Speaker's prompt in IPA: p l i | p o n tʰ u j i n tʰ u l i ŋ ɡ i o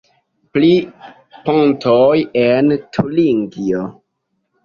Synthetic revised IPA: p l i | p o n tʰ o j e n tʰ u l i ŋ ɡ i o